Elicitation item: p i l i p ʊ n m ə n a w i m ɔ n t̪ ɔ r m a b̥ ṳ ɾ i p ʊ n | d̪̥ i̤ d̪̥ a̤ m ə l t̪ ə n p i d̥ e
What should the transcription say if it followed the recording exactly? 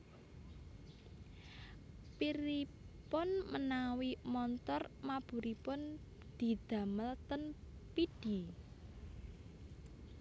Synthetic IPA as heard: p i ɾ i p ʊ n m ə n a w i m ɔ n t̪ ɔ r m a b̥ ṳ ɾ i p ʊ n | d̪̥ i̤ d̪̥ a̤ m ə l t̪ ə n p i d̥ i